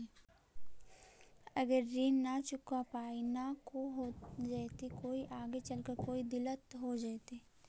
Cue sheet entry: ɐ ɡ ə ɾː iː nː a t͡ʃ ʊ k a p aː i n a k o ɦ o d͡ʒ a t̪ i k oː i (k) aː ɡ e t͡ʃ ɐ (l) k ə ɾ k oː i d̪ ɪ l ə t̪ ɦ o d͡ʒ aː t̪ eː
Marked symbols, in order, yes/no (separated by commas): no, yes